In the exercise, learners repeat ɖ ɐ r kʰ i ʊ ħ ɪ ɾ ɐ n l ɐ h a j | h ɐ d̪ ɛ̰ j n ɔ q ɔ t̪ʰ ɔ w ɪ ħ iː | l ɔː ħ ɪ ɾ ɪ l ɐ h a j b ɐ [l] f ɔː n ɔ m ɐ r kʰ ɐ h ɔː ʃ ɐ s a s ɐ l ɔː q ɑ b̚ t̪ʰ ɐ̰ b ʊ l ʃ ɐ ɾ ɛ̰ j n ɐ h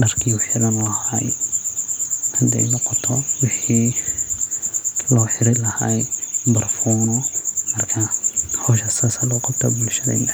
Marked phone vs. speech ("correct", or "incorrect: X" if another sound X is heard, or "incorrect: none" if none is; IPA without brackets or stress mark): incorrect: r